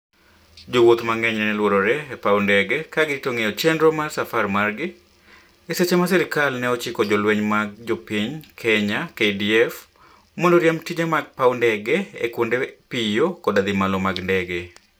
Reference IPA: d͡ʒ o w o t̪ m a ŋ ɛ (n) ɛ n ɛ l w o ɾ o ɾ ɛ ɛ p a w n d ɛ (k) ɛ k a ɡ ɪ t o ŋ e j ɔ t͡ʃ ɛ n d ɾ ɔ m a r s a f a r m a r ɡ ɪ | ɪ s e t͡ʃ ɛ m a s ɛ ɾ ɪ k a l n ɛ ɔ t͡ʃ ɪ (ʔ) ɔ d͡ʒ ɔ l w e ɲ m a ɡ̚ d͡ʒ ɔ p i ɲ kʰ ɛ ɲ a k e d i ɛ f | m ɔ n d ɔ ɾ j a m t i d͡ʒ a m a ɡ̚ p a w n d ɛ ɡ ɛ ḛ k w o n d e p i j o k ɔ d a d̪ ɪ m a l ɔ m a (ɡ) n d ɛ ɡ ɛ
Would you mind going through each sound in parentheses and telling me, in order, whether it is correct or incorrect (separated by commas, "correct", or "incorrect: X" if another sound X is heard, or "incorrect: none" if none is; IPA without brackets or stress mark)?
incorrect: ɲ, incorrect: ɡ, incorrect: k, correct